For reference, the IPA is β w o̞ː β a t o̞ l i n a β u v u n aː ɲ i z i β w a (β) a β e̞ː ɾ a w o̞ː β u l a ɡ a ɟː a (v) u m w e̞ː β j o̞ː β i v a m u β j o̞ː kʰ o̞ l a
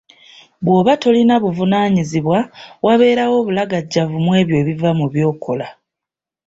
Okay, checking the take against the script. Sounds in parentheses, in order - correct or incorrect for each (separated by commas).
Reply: incorrect, correct